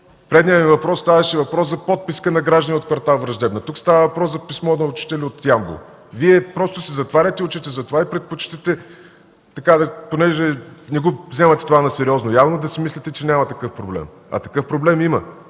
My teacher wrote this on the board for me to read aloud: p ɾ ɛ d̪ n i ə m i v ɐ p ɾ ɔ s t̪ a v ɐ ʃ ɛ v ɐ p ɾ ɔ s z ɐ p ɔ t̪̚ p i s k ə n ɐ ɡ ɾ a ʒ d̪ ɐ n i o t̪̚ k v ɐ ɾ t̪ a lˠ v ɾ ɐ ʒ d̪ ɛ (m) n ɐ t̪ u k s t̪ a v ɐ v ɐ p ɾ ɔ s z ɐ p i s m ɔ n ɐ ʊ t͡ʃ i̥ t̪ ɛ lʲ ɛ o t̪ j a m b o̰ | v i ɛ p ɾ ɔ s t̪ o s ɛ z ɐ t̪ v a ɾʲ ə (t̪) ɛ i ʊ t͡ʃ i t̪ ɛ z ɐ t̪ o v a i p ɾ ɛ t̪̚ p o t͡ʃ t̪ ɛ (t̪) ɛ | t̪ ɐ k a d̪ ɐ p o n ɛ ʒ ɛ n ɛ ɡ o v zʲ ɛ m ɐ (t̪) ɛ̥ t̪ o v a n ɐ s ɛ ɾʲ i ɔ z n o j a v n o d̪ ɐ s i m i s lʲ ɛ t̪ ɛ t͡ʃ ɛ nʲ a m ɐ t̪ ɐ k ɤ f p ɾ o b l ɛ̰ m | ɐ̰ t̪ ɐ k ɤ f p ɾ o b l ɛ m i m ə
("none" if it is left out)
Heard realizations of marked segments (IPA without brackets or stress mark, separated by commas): b, t̪, t̪, t̪